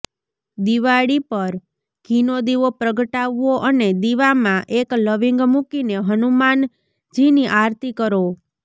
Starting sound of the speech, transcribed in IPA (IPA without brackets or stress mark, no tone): d̪